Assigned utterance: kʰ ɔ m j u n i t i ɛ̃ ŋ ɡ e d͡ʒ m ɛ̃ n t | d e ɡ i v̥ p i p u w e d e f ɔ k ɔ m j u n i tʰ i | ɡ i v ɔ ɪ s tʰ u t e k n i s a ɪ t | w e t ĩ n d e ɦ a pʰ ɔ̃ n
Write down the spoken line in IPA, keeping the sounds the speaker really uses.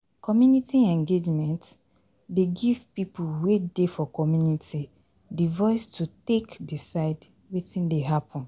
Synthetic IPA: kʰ ɔ m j u n i t i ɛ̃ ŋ ɡ e d͡ʒ m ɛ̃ n t | d e ɡ i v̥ p i p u w e d e f ɔ k ɔ m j u n i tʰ i | d i v ɔ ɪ s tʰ u t e k d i s a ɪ d | w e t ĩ n d e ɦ a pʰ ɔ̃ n